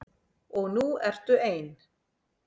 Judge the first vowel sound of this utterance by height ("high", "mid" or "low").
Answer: mid